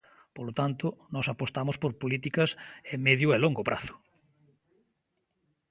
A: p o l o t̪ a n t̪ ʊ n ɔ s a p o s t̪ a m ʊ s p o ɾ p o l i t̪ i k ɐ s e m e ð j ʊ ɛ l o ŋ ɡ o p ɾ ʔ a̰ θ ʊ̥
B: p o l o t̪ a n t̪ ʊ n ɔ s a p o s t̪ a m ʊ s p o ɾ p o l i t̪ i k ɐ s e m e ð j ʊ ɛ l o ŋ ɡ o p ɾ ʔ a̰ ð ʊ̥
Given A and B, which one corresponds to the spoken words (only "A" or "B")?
A